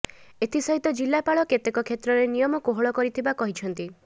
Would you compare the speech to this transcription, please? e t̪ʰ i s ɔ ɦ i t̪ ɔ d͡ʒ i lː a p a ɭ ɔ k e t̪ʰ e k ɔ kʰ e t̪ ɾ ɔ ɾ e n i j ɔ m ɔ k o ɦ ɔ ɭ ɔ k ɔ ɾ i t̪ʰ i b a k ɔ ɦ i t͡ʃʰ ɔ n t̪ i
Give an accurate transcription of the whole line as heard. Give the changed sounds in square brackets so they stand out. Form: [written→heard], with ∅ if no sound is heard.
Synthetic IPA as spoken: e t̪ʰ i s ɔ ɦ i t̪ ɔ d͡ʒ i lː a p a ɭ ɔ k e [t̪ʰ→t̪] e k ɔ kʰ e t̪ ɾ ɔ ɾ e n i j ɔ m ɔ k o ɦ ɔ ɭ ɔ k ɔ ɾ i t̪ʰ i b a k ɔ ɦ i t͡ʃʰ ɔ n t̪ i